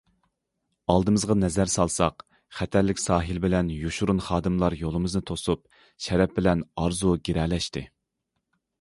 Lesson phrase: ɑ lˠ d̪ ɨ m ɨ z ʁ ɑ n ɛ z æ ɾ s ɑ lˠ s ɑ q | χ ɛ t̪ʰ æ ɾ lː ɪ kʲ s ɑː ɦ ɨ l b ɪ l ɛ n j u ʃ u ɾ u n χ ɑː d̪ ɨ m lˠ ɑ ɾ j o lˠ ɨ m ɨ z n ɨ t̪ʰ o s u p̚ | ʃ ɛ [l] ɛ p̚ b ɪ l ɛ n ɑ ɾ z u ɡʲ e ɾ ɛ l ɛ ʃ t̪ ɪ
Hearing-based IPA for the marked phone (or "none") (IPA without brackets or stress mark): ɾ